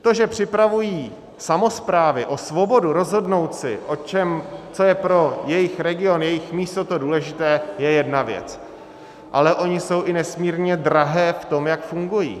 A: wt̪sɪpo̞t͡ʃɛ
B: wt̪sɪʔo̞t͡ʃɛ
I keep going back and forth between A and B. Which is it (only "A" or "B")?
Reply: B